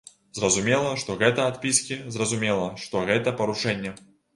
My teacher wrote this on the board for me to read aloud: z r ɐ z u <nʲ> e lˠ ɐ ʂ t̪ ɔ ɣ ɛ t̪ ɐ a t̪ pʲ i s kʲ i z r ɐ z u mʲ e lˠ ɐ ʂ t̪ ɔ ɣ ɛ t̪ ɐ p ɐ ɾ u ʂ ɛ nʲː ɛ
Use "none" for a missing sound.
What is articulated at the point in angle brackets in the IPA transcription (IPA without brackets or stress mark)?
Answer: mʲ